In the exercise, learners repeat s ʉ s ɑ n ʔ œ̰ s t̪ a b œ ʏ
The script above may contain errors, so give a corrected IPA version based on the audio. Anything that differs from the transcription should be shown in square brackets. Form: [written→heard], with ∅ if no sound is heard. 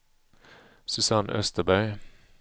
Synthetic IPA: s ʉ s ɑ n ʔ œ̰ s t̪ [a→ə] b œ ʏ